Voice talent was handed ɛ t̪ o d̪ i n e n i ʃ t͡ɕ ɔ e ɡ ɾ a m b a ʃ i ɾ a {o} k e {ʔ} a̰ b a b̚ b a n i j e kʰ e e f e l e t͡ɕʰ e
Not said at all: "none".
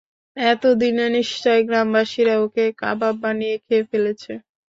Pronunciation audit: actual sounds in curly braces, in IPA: o, k

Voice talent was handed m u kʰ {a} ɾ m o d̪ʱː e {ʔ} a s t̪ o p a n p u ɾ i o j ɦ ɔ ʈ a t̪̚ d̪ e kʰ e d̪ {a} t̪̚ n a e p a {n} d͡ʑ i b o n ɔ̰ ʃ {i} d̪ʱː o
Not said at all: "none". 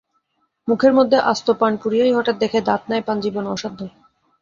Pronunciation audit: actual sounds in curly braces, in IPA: e, ʔ, a, n, a

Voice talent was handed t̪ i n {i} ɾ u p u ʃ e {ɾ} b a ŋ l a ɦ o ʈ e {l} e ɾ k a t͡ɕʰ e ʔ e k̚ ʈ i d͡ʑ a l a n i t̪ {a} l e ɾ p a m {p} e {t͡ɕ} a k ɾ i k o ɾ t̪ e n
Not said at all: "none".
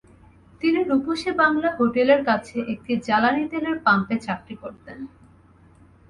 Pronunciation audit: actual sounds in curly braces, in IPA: i, none, l, e, p, t͡ɕ

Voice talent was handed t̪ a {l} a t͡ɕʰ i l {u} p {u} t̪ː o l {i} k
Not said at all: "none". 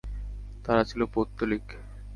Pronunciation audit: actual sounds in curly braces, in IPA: ɾ, o, o, i

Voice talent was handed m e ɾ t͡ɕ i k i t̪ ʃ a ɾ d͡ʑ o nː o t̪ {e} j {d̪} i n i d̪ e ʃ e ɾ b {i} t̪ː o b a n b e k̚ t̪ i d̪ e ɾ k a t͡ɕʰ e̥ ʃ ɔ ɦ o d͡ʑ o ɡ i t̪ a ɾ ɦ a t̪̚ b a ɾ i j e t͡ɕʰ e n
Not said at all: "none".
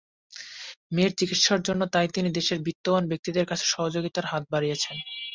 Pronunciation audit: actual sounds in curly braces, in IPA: a, t̪, i

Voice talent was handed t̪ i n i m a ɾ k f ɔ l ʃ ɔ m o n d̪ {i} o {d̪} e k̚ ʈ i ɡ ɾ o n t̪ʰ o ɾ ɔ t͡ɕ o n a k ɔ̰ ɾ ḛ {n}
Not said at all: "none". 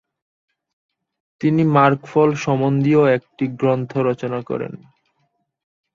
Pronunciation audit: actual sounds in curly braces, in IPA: i, none, n

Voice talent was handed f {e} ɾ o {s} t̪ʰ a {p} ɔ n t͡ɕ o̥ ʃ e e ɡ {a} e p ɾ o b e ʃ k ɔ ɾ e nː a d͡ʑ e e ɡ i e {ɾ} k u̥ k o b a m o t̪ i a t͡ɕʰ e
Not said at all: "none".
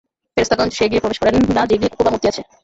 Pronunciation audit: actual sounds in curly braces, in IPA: e, s, k, i, none

